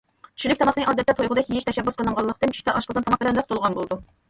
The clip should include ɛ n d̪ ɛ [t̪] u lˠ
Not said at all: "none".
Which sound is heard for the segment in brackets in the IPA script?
t̪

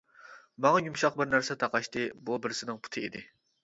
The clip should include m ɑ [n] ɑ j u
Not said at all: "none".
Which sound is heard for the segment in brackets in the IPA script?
ŋ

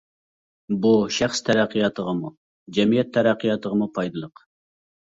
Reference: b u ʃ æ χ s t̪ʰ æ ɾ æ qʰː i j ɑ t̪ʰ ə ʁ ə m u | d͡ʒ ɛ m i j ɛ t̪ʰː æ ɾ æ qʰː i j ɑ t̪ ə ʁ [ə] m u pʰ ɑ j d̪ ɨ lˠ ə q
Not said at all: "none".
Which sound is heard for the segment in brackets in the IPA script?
ə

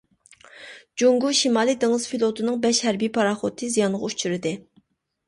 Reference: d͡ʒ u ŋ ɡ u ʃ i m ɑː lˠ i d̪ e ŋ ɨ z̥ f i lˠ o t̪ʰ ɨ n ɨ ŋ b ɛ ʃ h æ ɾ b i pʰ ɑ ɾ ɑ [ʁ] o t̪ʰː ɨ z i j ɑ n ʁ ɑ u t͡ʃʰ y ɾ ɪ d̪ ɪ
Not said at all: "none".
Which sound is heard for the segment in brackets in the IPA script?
χ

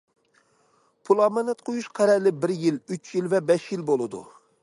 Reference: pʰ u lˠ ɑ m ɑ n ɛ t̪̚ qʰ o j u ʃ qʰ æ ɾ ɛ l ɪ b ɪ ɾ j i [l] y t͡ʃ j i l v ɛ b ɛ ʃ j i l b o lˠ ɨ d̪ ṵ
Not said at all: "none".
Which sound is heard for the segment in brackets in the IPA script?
l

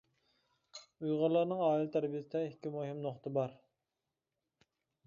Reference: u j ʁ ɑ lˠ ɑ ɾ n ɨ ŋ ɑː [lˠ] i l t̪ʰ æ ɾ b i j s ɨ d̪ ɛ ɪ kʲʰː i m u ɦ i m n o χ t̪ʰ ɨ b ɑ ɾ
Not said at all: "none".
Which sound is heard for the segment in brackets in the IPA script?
none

